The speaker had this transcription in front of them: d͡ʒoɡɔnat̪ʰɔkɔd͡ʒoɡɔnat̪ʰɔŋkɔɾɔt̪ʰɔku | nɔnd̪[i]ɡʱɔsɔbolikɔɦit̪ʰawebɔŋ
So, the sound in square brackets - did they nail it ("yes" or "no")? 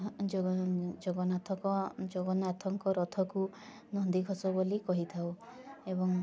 yes